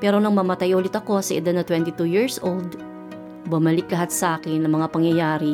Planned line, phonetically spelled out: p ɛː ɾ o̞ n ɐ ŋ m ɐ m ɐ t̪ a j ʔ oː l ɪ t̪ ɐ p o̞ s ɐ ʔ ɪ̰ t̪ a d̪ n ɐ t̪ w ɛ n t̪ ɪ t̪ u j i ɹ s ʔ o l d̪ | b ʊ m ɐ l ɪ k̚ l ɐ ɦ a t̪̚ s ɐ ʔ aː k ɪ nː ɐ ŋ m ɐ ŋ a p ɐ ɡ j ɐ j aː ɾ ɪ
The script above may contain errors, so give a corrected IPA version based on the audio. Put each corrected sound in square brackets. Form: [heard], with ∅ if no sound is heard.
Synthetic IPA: p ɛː ɾ o̞ n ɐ ŋ m ɐ m ɐ t̪ a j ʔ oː l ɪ t̪ ɐ [k] o̞ s ɐ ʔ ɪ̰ [d̪] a d̪ n ɐ t̪ w ɛ n t̪ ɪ t̪ u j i ɹ s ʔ o l d̪ | b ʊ m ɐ l ɪ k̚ l ɐ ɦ a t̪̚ s ɐ ʔ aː k ɪ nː ɐ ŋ m ɐ ŋ a p ɐ [ŋ] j ɐ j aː ɾ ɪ